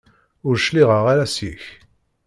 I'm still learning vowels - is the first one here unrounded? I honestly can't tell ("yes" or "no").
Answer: no